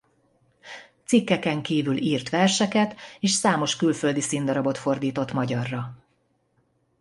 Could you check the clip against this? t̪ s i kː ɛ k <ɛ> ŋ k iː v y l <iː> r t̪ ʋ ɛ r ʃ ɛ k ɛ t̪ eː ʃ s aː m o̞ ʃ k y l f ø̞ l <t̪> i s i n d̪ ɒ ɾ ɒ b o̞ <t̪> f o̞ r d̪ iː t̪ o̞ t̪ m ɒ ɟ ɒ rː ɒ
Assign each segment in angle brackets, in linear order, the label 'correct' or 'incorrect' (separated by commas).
correct, correct, incorrect, correct